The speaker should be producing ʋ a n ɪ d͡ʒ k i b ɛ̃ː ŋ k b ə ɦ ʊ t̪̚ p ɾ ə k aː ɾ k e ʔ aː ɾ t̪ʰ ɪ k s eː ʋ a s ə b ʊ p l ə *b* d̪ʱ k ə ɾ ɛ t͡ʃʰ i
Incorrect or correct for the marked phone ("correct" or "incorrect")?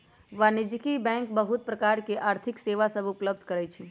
correct